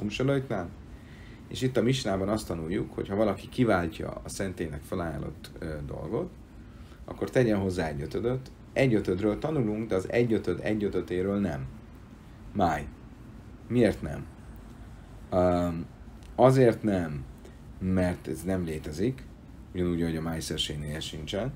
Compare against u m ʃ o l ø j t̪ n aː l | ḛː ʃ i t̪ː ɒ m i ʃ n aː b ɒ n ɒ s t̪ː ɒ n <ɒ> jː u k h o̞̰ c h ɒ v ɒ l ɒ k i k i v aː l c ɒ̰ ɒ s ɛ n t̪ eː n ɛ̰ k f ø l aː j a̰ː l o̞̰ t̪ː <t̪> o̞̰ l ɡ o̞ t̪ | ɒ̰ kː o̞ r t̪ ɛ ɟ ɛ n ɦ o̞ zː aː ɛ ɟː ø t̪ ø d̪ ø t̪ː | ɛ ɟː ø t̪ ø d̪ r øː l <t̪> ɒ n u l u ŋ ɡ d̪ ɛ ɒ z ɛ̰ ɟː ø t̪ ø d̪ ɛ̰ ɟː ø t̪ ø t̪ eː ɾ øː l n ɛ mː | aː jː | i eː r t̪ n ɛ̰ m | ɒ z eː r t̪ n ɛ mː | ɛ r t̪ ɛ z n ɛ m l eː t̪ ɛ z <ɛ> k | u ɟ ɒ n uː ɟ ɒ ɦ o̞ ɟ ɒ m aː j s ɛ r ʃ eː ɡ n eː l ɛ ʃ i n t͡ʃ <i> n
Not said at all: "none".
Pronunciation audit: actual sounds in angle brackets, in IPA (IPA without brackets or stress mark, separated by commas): u, d̪, t̪, i, ɛ